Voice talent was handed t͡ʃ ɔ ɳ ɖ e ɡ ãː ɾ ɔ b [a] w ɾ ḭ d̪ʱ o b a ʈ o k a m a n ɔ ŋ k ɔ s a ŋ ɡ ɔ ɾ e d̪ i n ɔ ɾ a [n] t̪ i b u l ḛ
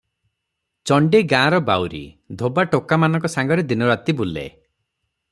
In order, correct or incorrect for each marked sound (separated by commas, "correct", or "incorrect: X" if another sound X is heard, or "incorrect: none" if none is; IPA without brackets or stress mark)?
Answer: correct, incorrect: none